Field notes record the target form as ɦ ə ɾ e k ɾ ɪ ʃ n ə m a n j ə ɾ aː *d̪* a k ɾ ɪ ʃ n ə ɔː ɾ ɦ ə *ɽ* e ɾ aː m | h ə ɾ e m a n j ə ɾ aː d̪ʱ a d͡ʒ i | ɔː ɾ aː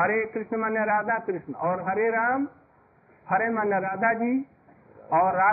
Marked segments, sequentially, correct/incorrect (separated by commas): correct, incorrect